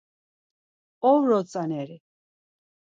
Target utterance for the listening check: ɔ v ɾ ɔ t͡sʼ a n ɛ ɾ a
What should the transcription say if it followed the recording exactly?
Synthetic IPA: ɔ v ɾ ɔ t͡sʼ a n ɛ ɾ i

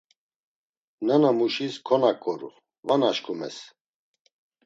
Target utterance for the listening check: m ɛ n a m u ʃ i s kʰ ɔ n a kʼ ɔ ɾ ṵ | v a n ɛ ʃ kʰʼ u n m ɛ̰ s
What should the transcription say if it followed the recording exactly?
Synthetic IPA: n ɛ n a m u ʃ i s kʰ ɔ n a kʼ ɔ ɾ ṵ | v a n a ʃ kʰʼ u m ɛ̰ s

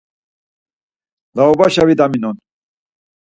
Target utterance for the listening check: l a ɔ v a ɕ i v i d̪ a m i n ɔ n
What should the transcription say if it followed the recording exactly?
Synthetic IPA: l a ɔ b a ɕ a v i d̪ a m i n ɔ n

